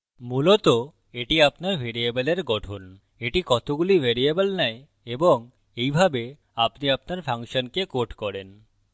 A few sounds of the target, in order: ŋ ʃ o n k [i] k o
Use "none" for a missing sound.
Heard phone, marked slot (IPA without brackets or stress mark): e